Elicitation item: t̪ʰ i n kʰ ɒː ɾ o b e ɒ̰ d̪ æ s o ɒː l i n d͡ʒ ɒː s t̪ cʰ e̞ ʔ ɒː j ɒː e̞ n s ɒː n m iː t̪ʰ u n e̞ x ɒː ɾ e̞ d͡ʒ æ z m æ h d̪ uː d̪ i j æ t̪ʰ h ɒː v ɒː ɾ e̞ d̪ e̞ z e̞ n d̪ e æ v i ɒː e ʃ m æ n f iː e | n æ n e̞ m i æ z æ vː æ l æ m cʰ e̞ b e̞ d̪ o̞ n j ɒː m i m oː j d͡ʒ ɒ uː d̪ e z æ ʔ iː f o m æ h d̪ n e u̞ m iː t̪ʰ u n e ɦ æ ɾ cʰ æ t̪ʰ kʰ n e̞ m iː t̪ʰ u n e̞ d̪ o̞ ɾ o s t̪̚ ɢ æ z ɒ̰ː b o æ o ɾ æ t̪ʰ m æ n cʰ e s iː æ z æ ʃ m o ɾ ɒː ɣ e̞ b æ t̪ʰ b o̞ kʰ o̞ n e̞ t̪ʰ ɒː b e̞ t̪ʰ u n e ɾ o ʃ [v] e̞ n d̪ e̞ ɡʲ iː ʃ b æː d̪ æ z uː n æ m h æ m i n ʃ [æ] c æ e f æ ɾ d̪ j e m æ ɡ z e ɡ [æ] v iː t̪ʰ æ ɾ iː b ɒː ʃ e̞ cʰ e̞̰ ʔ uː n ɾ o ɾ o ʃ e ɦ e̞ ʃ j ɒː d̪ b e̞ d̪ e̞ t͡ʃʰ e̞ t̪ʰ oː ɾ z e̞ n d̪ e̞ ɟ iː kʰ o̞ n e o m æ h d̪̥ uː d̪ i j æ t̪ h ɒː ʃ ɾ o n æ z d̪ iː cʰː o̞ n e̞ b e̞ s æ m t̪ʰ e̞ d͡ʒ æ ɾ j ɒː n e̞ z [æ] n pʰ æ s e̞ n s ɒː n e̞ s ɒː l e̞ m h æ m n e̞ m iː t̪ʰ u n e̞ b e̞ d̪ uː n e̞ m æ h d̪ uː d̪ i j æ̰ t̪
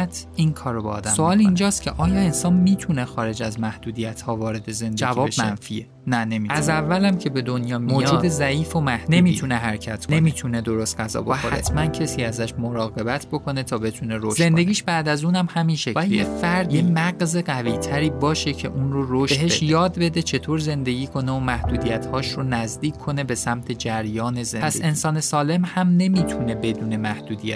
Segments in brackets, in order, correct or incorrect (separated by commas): incorrect, incorrect, correct, incorrect